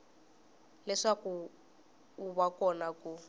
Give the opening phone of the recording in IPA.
l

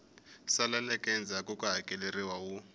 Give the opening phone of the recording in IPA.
s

